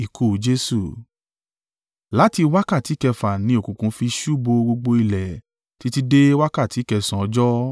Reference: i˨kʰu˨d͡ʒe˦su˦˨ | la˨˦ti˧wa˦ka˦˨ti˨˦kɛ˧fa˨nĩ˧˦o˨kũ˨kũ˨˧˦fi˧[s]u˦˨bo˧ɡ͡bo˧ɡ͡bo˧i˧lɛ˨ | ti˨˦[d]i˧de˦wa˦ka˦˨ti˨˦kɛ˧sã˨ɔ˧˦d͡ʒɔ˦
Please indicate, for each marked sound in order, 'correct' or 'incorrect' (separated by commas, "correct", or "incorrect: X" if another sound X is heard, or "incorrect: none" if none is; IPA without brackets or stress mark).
incorrect: ʃ, incorrect: t